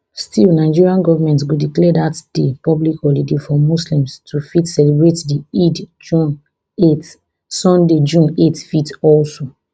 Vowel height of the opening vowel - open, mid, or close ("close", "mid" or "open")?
close